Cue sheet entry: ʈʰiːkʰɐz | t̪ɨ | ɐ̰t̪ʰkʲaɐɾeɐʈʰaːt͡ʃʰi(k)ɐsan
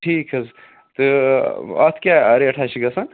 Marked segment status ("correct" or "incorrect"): incorrect